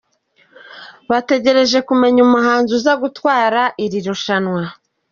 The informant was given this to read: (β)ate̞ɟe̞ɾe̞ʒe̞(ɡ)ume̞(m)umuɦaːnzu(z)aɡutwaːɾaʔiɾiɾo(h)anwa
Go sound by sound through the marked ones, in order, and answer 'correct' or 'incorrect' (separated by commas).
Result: correct, incorrect, incorrect, correct, incorrect